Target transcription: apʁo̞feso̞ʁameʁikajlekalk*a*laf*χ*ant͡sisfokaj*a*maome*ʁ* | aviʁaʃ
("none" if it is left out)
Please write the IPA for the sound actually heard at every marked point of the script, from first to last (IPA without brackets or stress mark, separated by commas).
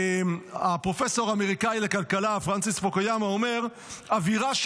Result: a, ʁ, a, ʁ